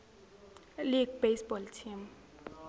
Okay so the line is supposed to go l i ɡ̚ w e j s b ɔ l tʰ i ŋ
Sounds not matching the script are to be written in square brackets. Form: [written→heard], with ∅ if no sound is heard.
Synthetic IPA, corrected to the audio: l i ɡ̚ [w→b] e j s b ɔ l tʰ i [ŋ→m]